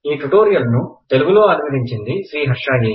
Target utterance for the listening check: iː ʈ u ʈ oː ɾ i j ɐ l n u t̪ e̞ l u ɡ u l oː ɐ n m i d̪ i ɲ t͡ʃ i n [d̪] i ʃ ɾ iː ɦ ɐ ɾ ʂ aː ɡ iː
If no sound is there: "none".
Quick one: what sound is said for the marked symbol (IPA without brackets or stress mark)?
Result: d̪